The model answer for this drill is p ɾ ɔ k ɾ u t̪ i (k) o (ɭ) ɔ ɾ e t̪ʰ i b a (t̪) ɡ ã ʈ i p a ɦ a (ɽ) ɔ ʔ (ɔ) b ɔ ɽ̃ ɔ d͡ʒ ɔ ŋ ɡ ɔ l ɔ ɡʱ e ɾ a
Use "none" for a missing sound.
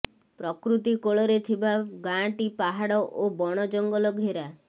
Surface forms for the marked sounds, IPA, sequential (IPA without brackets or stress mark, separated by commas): k, ɭ, none, ɽ, o